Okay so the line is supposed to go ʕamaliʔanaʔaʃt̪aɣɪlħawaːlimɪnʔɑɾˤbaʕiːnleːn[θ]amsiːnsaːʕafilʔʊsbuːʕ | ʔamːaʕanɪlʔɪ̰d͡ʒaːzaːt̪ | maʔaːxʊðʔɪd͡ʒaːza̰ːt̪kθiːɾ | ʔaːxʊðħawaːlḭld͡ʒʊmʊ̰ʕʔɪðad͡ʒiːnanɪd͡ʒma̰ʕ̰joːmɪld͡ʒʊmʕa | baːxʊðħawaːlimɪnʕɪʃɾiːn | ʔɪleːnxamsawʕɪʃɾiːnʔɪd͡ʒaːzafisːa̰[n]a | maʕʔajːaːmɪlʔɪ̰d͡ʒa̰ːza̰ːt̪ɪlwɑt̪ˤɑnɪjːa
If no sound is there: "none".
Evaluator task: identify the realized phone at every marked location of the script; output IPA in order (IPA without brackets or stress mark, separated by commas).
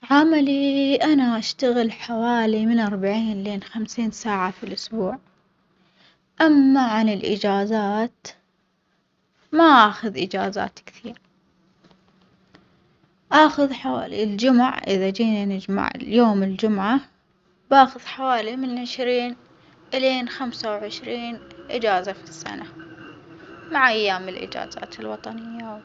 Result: x, n